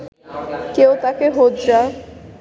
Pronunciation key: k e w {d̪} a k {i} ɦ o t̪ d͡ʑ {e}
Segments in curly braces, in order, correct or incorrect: incorrect, incorrect, incorrect

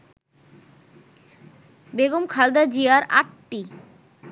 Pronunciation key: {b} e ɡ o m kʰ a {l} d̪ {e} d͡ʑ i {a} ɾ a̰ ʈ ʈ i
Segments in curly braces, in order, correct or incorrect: correct, correct, incorrect, correct

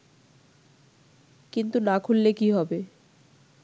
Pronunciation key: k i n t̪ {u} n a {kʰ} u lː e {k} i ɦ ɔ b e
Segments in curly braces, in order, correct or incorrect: correct, correct, correct

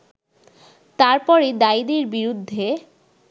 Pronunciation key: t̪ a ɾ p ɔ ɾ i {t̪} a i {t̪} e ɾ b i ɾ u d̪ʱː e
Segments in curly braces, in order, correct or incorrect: incorrect, incorrect

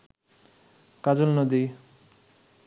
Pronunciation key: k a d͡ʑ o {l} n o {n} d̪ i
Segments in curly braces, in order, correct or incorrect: correct, incorrect

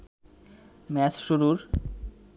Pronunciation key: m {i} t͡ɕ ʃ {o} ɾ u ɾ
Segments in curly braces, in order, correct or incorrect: incorrect, incorrect

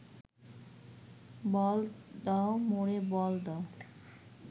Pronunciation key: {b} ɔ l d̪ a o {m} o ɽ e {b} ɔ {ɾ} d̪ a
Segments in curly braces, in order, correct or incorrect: correct, correct, correct, incorrect

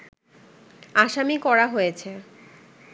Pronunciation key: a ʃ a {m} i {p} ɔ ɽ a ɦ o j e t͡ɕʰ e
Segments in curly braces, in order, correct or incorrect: correct, incorrect

